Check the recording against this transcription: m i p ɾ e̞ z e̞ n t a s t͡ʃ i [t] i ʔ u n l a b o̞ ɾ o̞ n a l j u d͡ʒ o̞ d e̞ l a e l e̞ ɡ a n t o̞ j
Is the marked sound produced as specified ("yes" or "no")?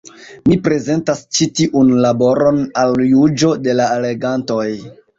yes